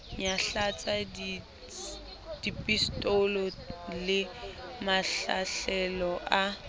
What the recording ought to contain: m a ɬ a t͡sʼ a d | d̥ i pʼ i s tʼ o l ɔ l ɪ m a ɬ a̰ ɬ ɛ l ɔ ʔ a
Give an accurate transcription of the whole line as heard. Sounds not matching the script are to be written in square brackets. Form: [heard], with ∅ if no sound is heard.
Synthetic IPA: [ɲ] a ɬ a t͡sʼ a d | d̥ i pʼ i s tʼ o l ɔ l ɪ m a ɬ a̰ ɬ ɛ l ɔ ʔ a